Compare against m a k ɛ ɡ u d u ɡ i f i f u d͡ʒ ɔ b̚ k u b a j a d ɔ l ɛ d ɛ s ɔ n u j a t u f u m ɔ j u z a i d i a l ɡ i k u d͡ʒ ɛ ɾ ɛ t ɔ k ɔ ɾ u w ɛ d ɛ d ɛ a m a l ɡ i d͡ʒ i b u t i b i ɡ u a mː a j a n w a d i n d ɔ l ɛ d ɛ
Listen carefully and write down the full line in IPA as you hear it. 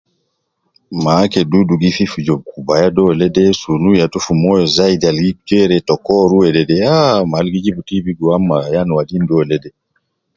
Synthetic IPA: m a k ɛ d u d u ɡ i f i f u d͡ʒ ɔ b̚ k u b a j a d ɔ l ɛ d ɛ s u n u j a t u f u m ɔ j ɔ z a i d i a l ɡ i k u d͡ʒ ɛ ɾ ɛ t ɔ k ɔ ɾ u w ɛ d ɛ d ɛ a m a l ɡ i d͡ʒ i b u t i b i ɡ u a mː a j a n w a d i n d ɔ l ɛ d ɛ